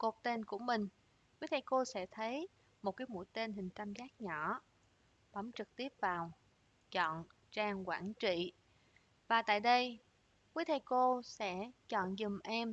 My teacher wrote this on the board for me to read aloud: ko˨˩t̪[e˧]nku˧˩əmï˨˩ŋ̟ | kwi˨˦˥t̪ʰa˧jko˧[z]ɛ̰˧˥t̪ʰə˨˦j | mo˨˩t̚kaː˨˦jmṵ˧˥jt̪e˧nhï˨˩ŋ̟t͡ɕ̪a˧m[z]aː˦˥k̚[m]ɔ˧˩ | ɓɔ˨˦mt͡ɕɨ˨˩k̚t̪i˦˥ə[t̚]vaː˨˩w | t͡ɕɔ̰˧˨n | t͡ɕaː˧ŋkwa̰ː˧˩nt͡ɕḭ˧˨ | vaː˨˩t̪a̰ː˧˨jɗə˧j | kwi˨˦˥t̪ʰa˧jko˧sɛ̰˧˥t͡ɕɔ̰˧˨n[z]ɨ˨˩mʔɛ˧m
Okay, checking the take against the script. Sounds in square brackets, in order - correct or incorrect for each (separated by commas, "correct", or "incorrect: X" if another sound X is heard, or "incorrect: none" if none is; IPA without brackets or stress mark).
correct, incorrect: s, correct, incorrect: ɲ, incorrect: p̚, correct